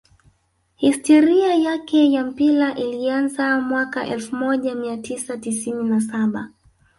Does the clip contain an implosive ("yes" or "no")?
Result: yes